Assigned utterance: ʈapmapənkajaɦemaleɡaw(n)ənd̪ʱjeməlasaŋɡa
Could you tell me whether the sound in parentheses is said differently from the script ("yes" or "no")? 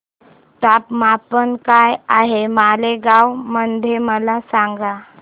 yes